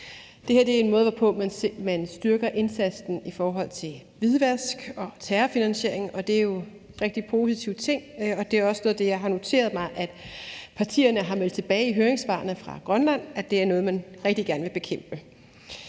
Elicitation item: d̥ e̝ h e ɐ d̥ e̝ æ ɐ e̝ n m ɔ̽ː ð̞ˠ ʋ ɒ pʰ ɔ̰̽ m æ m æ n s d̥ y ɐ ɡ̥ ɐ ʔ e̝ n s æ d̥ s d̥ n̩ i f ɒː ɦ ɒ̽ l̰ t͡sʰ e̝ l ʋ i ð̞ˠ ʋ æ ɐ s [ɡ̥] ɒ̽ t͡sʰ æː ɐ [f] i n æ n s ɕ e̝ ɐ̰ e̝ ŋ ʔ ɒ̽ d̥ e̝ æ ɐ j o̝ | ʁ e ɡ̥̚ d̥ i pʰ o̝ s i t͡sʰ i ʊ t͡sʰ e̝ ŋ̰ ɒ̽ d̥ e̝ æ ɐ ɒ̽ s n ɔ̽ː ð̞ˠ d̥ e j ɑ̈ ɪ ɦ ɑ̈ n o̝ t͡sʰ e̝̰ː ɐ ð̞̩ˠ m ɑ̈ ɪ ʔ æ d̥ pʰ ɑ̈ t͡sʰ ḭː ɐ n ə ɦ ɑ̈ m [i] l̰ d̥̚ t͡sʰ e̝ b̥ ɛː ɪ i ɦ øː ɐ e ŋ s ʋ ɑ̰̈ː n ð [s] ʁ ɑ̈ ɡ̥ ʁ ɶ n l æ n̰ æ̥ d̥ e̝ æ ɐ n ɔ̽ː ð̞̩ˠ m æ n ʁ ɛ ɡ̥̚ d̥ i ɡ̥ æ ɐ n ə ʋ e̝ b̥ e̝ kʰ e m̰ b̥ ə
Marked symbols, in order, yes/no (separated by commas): yes, yes, no, no